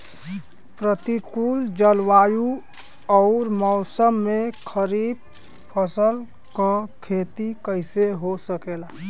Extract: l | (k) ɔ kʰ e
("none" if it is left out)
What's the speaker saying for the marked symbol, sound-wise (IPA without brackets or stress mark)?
k